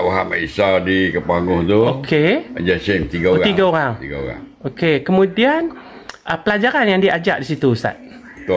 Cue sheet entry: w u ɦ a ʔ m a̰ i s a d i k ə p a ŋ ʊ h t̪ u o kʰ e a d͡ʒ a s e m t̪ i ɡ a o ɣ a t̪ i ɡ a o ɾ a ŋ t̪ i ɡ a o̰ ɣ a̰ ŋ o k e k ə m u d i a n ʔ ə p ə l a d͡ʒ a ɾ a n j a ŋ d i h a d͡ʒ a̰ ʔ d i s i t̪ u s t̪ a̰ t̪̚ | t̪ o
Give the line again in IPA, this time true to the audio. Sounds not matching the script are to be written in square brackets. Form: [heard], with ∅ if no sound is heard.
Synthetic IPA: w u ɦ a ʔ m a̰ i s a d i k ə p a ŋ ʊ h t̪ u o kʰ e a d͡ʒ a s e m t̪ i ɡ a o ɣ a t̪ i ɡ a o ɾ a ŋ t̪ i ɡ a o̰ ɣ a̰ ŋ o k e k ə m u d i a n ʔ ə p ə l a d͡ʒ a ɾ a n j a ŋ d i [∅] a d͡ʒ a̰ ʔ d i s i t̪ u s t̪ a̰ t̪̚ | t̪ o